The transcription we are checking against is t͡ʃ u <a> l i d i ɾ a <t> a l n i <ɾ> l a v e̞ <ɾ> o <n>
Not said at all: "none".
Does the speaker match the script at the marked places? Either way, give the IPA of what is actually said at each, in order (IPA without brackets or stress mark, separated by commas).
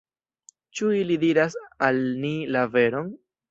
i, s, none, ɾ, n